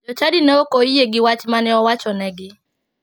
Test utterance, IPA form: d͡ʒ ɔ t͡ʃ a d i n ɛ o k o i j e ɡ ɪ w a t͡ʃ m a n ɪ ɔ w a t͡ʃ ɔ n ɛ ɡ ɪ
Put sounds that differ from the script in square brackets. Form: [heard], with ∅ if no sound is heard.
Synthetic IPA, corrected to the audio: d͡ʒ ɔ t͡ʃ a d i n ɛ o k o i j e ɡ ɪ w a t͡ʃ m a n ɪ ɔ w a t͡ʃ ɔ n ɛ ɡ ɪ